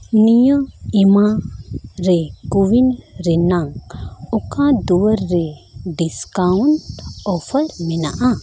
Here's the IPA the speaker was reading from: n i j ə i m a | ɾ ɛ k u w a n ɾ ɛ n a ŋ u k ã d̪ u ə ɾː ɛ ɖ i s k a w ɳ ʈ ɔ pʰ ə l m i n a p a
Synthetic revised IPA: n i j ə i m a | ɾ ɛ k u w i n ɾ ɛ n a ŋ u k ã d̪ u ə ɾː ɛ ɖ i s k a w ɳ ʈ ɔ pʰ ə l m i n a ʔ a